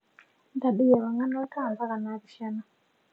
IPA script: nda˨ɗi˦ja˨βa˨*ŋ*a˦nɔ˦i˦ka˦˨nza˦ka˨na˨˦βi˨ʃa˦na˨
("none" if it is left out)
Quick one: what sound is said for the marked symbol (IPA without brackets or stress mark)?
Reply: ŋ